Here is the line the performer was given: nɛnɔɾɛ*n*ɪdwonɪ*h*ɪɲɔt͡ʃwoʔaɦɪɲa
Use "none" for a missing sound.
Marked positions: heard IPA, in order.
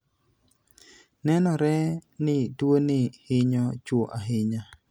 n, h

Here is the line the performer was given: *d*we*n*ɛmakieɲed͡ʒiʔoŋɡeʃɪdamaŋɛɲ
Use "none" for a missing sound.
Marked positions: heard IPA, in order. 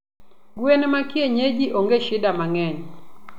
ɡ, n

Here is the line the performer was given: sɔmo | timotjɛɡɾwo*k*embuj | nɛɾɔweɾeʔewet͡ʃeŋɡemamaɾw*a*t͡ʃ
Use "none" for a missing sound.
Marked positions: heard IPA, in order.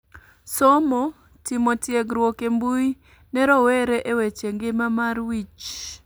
k, i

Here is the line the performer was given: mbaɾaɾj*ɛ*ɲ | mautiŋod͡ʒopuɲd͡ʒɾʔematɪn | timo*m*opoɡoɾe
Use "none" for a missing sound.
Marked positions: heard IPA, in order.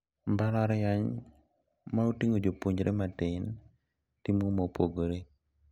a, m

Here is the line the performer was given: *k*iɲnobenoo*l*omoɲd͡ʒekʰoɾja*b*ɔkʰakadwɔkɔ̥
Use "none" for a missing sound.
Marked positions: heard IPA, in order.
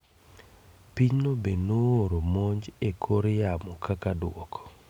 p, ɾ, m

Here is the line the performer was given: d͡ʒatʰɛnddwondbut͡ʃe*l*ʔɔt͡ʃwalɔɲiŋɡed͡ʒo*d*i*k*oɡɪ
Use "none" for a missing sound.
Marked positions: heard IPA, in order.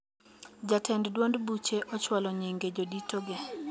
none, d, t

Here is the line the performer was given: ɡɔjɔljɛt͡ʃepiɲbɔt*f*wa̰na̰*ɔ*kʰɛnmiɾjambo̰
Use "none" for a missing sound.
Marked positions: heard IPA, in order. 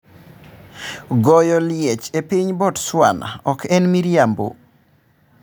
s, ɔ

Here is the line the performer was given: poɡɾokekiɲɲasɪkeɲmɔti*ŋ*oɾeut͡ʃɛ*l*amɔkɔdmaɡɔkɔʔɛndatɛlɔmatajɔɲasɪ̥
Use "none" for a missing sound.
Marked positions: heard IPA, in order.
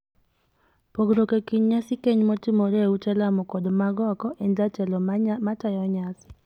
m, l

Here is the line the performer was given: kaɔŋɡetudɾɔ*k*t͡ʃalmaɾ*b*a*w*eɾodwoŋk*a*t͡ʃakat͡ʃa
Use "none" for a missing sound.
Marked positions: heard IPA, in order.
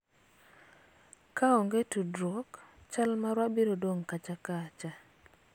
k, w, b, a

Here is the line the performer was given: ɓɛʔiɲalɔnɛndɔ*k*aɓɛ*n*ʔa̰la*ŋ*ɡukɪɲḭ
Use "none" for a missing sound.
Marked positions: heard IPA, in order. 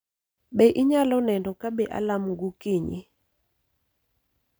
k, none, m

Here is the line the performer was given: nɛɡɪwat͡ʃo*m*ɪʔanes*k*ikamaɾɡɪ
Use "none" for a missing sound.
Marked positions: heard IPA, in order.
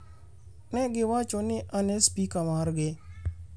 n, p

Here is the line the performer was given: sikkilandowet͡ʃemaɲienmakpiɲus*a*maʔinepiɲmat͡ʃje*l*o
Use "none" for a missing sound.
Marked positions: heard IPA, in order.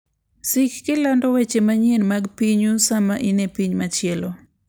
a, l

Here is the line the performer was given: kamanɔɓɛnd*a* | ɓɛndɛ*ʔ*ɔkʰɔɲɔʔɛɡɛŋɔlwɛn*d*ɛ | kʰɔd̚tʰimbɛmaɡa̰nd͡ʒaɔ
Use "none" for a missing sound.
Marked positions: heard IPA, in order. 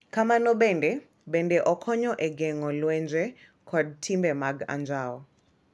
ɛ, ʔ, d͡ʒ

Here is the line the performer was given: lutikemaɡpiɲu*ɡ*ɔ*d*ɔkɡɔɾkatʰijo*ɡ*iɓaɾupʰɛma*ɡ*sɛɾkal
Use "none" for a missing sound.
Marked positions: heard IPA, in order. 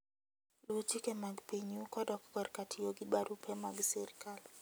k, d, ɡ, ɡ

